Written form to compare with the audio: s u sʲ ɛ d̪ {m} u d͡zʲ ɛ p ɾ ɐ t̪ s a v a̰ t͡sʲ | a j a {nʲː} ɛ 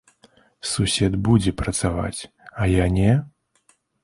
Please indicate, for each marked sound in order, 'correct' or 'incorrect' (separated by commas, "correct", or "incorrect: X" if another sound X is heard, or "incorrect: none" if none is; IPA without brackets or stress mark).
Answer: incorrect: b, incorrect: nʲ